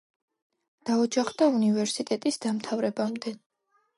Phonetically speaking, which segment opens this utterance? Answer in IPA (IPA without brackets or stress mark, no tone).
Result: d̪̥